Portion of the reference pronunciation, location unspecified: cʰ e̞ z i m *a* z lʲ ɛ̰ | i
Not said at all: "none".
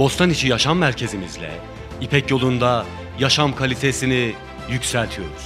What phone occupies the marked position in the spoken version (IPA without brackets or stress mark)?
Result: i